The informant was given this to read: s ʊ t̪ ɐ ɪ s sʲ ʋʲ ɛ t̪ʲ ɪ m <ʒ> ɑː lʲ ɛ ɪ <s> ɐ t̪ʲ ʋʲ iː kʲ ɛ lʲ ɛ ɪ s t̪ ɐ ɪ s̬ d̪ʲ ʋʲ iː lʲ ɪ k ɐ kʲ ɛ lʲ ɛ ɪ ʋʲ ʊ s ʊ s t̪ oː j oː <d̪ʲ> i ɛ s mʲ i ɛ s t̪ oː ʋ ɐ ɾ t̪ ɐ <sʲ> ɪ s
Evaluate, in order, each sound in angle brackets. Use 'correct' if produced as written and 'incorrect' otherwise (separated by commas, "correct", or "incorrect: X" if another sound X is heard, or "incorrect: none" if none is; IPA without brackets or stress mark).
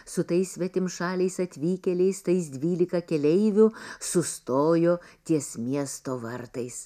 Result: incorrect: ʃ, correct, incorrect: t̪ʲ, incorrect: none